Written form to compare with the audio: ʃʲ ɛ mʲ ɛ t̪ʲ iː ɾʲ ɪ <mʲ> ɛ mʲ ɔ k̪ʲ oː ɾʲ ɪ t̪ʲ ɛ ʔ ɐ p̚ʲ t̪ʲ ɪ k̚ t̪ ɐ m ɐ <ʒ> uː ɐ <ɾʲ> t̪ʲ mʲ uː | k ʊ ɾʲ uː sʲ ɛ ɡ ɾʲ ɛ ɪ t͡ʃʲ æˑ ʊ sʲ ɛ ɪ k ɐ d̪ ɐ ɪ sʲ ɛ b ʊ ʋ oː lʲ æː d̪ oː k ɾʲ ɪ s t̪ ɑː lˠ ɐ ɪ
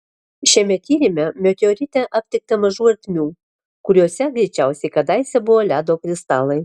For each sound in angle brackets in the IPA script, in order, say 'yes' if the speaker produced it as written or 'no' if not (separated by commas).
yes, yes, yes